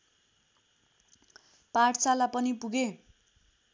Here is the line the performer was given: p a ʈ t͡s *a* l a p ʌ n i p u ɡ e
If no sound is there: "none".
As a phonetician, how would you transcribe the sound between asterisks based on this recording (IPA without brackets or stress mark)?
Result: a